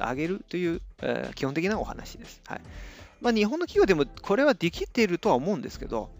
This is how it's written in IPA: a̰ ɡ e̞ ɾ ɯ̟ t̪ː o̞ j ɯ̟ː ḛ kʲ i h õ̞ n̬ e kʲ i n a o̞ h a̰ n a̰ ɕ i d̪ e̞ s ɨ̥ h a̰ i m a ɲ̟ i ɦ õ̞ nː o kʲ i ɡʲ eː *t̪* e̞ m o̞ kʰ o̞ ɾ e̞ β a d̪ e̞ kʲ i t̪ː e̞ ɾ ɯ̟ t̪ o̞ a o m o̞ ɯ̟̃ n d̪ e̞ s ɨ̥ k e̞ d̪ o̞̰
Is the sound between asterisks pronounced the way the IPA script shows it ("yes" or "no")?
no